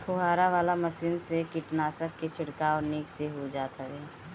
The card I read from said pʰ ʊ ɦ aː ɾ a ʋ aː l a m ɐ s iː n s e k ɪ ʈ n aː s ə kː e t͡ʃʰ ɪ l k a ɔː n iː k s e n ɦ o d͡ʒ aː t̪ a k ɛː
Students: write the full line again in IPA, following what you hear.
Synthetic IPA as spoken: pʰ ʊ ɦ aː ɾ a ʋ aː l a m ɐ s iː n s e k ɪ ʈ n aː s ə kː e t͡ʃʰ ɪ ɽ k a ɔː n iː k s e ɦ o d͡ʒ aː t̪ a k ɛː